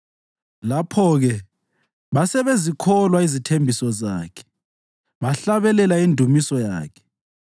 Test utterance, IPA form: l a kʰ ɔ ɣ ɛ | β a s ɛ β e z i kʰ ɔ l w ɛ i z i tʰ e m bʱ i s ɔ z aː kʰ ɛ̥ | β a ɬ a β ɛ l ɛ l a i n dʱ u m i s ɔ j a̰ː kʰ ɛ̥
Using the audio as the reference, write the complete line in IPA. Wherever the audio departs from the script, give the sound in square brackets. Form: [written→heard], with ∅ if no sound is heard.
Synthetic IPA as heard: l a [kʰ→pʰ] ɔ ɣ ɛ | β a s ɛ β e z i kʰ ɔ l w [ɛ→a] i z i tʰ e m bʱ i s ɔ z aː kʰ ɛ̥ | β a ɬ a β ɛ l ɛ l a i n dʱ u m i s ɔ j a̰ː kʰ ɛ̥